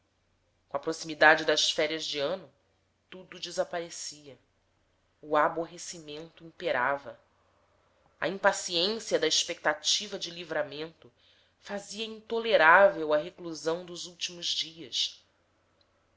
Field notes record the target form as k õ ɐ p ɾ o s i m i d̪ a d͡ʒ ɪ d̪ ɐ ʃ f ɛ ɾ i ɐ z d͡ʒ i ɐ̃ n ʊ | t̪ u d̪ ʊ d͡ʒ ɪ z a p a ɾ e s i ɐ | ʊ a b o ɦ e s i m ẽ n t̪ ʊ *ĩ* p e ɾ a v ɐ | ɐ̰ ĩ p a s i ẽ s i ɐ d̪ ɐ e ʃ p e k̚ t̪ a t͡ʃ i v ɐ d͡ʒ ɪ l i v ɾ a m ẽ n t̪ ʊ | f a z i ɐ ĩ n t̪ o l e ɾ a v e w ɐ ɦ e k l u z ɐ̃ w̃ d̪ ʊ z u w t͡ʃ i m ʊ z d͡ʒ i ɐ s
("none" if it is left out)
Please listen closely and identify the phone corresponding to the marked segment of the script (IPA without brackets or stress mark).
ĩ